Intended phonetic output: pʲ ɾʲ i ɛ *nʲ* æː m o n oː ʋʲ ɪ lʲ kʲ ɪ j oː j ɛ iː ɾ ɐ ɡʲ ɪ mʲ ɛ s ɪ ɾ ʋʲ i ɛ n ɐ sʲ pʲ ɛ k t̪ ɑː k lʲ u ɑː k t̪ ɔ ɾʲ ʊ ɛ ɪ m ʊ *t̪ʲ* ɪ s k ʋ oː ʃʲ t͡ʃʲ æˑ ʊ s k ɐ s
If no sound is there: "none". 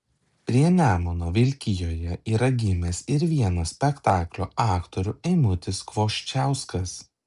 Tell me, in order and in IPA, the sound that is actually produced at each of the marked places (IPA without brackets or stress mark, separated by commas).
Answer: nʲ, t̪ʲ